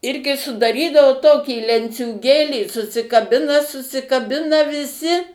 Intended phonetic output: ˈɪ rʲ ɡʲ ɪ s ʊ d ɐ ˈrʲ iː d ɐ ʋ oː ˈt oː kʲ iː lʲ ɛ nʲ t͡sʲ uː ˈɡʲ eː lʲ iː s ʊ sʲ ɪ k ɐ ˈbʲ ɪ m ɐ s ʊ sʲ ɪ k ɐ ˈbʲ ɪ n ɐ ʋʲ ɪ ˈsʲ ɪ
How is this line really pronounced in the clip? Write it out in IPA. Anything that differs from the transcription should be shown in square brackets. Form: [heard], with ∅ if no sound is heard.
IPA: ˈɪ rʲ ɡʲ ɪ s ʊ d ɐ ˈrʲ iː d ɐ ʋ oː ˈt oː kʲ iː lʲ ɛ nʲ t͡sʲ uː ˈɡʲ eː lʲ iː s ʊ sʲ ɪ k ɐ ˈbʲ ɪ [n] ɐ s ʊ sʲ ɪ k ɐ ˈbʲ ɪ n ɐ ʋʲ ɪ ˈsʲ ɪ